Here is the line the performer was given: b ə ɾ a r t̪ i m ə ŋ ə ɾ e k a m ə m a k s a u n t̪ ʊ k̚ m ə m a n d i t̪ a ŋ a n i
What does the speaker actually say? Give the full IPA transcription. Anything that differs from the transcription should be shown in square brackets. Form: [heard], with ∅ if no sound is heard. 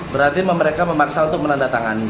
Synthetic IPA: b ə ɾ a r t̪ i m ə [m] ə ɾ e k a m ə m a k s a u n t̪ ʊ k̚ m ə [n] a n d [a] t̪ a ŋ a n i